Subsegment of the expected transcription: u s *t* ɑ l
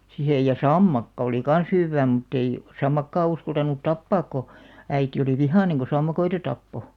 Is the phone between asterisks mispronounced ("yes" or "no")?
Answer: yes